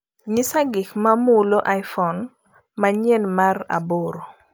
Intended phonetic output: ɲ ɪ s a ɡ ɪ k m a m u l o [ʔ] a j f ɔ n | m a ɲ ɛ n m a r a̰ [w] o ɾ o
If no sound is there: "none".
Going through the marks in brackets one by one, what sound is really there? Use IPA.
ʔ, b

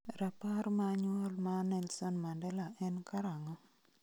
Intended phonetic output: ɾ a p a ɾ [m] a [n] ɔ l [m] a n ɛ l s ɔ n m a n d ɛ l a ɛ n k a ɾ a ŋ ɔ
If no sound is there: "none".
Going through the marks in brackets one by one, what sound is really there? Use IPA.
m, ɲ, m

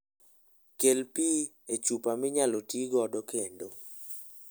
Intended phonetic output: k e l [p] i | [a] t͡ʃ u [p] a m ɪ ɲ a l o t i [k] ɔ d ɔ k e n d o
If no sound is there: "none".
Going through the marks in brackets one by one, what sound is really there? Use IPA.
p, e, p, ɡ

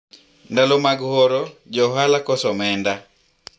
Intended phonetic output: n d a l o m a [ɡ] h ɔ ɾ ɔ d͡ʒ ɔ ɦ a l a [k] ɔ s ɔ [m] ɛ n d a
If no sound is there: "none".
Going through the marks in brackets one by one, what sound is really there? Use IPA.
ɡ, k, m

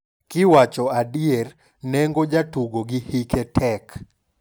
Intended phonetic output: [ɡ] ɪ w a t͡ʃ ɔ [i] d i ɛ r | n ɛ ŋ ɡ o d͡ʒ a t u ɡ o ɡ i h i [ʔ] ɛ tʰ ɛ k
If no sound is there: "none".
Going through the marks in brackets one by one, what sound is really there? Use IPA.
k, a, k

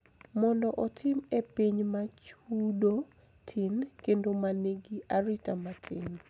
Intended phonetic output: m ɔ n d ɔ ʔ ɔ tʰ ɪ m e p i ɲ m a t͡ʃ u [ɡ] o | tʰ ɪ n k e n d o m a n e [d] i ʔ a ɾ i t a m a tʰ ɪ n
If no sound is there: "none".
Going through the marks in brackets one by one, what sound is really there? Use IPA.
d, ɡ

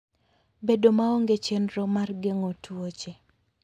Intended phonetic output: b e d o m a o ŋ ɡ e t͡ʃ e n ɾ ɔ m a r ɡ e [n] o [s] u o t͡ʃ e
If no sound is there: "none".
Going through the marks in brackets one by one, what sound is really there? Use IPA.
ŋ, t

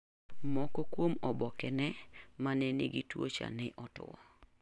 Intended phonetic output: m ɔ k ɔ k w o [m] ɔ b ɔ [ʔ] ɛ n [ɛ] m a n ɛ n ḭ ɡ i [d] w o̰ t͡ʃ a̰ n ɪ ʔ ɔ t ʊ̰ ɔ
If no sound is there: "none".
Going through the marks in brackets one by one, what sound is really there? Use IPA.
m, k, ɛ, t

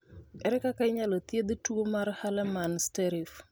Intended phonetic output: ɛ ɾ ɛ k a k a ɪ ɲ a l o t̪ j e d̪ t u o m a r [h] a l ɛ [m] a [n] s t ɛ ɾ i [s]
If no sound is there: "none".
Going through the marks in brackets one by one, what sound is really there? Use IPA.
h, m, n, f

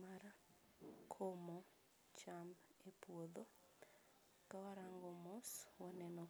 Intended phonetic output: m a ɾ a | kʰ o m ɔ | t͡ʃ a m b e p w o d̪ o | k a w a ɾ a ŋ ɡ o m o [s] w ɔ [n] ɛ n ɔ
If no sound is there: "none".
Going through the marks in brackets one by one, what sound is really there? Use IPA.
s, n

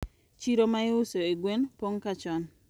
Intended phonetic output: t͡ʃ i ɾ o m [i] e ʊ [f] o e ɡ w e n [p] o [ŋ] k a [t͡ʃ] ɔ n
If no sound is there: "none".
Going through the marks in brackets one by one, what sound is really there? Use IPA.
a, s, p, ŋ, t͡ʃ

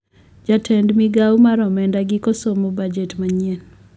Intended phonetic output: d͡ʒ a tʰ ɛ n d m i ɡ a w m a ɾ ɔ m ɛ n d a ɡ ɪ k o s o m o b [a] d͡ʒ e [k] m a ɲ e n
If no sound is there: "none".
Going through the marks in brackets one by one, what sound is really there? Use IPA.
a, t

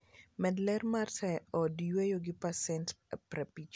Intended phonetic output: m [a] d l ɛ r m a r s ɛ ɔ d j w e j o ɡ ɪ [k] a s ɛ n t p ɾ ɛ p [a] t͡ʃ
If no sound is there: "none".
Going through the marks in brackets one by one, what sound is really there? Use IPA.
ɛ, p, i

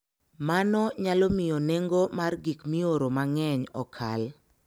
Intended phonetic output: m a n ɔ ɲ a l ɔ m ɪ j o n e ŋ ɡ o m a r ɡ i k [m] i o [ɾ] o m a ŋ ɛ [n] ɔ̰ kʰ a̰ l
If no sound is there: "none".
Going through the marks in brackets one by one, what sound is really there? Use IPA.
m, ɾ, ɲ

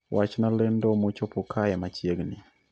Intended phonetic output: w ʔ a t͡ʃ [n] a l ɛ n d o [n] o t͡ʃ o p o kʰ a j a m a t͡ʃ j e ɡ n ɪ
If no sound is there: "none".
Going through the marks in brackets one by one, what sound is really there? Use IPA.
n, m

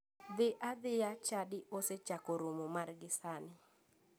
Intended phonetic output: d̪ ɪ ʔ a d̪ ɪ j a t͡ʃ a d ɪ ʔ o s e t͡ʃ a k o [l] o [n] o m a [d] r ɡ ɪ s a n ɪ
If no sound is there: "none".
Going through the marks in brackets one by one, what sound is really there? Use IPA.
ɾ, m, none

